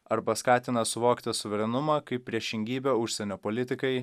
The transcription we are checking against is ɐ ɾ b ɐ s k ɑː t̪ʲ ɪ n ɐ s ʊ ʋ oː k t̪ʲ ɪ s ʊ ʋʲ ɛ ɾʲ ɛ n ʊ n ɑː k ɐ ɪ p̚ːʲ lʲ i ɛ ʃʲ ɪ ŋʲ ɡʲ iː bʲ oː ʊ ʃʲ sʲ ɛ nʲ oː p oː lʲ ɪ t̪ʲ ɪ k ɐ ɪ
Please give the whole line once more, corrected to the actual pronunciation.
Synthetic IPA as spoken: ɐ ɾ b ɐ s k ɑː t̪ʲ ɪ n ɐ s ʊ ʋ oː k t̪ʲ ɪ s ʊ ʋʲ ɛ ɾʲ ɛ n ʊ m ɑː k ɐ ɪ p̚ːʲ ɾʲ i ɛ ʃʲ ɪ ŋʲ ɡʲ iː bʲ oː ʊ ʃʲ sʲ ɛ nʲ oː p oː lʲ ɪ t̪ʲ ɪ k ɐ ɪ